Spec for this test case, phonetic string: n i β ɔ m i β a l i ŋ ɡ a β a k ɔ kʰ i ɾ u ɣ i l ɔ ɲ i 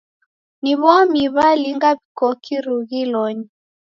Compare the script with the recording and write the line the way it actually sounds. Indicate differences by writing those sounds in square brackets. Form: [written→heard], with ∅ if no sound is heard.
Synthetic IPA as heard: n i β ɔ m i β a l i ŋ ɡ a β [a→i] k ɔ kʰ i ɾ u ɣ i l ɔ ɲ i